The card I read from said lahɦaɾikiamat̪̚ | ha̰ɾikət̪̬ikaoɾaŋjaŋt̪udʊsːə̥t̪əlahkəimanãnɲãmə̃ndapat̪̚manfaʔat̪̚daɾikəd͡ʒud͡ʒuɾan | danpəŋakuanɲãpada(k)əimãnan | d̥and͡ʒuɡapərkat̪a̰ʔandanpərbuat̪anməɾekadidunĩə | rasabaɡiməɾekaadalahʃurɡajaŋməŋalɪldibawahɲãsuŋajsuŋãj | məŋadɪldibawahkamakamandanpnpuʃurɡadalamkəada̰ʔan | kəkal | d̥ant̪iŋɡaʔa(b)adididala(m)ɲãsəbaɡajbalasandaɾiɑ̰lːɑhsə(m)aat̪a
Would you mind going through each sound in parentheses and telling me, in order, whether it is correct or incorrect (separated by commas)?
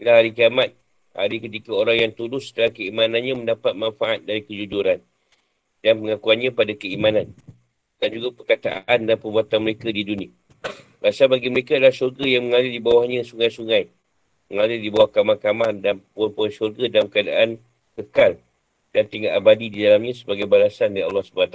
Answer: correct, correct, correct, incorrect